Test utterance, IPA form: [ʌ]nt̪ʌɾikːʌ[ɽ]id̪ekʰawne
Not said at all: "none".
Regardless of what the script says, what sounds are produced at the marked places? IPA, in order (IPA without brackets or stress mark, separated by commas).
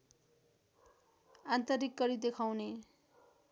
a, ɾ